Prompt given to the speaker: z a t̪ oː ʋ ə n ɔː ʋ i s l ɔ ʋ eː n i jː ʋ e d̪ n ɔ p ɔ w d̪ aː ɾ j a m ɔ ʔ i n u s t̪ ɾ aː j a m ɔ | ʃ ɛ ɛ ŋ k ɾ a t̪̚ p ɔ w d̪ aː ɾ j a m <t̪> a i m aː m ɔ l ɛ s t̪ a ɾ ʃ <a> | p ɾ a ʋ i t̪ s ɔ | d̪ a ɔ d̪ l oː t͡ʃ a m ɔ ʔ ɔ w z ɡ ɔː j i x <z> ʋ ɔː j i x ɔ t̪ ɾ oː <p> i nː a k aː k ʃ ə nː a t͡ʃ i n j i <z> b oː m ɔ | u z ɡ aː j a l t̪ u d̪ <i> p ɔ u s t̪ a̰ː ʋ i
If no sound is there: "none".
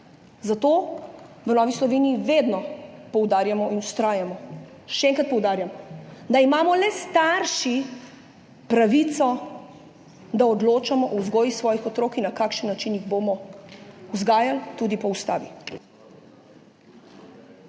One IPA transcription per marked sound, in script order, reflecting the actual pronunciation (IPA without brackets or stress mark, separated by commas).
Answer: d̪, i, s, k, ɣ, i